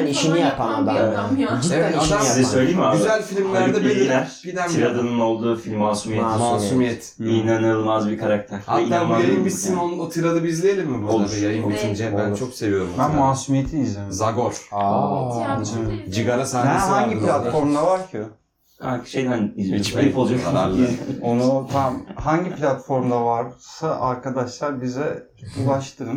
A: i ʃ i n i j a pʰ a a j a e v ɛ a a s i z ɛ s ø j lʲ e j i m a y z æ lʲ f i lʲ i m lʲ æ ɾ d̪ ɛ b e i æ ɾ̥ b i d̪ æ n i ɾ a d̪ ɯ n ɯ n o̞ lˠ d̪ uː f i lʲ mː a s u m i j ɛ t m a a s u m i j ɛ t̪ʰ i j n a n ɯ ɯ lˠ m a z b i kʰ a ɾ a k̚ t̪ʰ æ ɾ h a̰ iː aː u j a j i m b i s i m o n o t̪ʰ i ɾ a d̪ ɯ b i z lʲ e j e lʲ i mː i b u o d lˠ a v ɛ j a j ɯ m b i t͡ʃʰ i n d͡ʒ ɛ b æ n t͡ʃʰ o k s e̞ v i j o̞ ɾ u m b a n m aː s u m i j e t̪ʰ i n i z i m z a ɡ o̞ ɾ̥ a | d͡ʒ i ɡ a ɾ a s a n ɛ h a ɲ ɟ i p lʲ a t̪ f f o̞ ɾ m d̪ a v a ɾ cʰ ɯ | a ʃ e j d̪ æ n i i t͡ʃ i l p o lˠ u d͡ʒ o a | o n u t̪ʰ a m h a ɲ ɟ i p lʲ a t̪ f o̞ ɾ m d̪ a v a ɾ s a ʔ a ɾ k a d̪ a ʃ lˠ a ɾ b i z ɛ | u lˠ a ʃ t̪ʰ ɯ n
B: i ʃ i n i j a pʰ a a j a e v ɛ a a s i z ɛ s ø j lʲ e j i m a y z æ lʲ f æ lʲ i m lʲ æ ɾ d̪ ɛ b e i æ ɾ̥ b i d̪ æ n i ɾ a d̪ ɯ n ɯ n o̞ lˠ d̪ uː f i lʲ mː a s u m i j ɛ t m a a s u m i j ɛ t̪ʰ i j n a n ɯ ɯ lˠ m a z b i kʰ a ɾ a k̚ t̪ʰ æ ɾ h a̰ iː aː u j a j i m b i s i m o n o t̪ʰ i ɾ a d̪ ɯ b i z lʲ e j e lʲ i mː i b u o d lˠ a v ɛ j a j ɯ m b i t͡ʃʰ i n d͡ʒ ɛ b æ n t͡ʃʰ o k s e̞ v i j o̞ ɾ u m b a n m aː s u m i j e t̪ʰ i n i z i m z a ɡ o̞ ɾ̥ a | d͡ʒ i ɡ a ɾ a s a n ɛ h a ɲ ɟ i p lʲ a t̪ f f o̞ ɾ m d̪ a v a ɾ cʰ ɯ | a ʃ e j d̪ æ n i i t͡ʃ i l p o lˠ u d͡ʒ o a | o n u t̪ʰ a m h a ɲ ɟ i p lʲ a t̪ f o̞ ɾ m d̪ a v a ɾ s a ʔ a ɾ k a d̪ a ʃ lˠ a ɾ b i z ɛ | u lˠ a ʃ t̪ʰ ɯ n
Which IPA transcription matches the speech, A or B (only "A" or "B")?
A